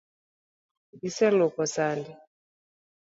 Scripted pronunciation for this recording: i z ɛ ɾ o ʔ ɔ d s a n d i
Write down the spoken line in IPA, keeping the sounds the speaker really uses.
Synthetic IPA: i s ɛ l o k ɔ s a n d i